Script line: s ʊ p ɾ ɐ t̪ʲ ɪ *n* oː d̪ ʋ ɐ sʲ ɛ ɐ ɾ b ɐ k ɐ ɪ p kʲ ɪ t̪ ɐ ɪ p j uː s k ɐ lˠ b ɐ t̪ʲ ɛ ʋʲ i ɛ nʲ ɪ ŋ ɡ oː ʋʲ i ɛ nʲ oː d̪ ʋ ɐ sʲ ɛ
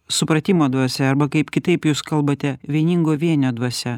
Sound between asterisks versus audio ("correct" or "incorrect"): incorrect